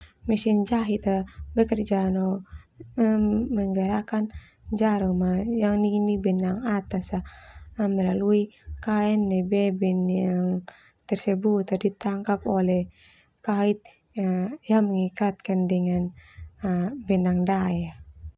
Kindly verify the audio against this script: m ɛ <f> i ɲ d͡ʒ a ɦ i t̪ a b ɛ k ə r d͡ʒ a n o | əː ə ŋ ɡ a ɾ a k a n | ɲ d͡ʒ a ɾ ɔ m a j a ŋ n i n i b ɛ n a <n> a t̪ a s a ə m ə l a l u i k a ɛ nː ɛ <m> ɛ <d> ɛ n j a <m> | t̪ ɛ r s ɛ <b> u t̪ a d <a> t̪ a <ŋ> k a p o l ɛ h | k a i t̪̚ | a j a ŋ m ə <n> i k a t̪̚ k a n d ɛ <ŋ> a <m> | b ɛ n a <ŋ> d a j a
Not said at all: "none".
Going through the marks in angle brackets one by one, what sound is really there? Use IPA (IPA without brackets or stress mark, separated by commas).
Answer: s, ŋ, b, b, ŋ, b, i, ŋ, ŋ, ŋ, n, ŋ